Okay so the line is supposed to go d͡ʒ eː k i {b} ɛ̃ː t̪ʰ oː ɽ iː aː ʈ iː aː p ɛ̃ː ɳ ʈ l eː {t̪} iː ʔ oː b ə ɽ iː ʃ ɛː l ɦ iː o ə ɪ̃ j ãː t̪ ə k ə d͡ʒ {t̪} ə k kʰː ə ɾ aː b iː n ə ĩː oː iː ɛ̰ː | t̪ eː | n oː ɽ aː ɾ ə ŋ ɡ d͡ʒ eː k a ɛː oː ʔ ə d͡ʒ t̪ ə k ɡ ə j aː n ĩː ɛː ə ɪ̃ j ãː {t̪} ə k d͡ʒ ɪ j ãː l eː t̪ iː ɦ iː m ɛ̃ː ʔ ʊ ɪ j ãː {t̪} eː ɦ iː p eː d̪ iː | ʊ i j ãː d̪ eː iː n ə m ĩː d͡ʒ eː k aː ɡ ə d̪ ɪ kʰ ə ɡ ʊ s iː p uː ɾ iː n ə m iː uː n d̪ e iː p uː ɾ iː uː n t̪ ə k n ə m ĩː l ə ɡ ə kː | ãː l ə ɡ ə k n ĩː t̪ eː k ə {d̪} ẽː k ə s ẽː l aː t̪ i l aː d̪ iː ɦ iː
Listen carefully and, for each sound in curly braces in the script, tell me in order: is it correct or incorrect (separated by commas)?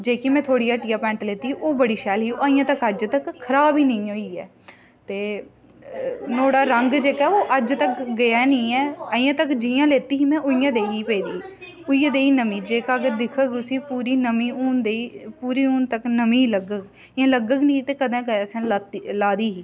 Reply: incorrect, correct, correct, correct, incorrect, correct